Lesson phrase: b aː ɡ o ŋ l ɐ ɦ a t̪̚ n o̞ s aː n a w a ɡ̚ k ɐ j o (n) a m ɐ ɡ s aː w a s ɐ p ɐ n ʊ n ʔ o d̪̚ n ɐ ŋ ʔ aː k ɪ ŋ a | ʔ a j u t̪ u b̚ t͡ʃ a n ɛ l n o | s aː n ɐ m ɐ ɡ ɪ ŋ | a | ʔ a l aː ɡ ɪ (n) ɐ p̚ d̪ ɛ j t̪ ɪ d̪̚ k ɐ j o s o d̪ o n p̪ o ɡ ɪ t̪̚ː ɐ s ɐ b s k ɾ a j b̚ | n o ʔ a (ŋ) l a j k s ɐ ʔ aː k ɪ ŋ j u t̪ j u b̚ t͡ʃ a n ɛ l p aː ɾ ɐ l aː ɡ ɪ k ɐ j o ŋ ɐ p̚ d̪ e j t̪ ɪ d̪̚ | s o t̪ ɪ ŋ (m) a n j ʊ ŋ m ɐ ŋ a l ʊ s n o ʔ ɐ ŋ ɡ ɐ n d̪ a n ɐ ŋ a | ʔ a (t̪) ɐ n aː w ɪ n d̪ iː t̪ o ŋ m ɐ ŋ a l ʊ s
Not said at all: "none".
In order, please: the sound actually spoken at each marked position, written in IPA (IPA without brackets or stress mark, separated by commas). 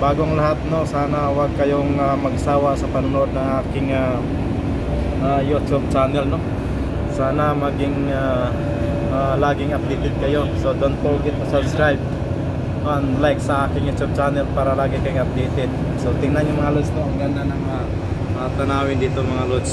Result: ŋ, ŋ, n, n, t̪